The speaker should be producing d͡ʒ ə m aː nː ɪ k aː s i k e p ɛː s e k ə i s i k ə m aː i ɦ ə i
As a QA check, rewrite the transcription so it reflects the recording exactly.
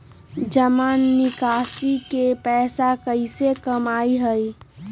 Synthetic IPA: d͡ʒ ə m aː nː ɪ k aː s i k e p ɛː s a k ə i s e k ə m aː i ɦ ə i